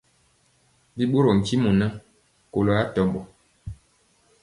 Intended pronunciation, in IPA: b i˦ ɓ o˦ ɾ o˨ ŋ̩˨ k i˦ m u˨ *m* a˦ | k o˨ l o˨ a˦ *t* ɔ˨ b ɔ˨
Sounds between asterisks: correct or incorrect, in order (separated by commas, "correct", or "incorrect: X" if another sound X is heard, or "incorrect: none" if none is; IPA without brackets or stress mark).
incorrect: n, correct